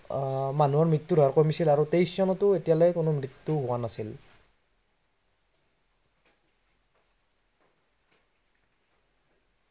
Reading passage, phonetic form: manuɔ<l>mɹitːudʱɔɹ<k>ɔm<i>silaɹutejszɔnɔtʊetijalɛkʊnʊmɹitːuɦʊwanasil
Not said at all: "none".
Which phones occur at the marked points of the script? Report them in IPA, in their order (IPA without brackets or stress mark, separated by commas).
ɹ, k, i